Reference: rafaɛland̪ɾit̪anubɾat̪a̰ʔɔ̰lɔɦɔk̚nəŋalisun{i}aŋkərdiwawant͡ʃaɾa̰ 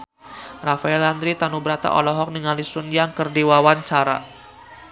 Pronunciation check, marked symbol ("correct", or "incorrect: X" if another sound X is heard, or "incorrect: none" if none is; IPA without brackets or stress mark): incorrect: j